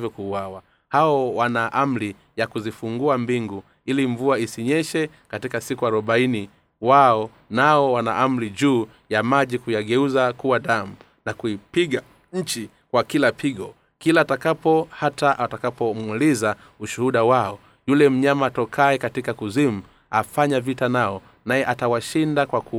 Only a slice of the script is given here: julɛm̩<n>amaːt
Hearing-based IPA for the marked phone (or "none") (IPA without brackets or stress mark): ɲ